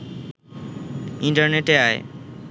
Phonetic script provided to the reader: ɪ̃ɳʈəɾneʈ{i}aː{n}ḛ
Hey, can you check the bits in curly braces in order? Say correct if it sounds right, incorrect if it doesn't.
incorrect: e, incorrect: none

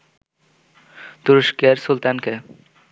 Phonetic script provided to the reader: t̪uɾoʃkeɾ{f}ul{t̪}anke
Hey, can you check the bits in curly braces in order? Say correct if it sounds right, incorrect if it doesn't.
incorrect: s, correct

